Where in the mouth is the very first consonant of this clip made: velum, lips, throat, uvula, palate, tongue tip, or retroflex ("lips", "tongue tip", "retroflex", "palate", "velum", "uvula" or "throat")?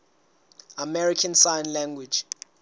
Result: lips